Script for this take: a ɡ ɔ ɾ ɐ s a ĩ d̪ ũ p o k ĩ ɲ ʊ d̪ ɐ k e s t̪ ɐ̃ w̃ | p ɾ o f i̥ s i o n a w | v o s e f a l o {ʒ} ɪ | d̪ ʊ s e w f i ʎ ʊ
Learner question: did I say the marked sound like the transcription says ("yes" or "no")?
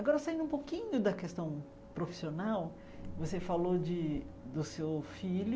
no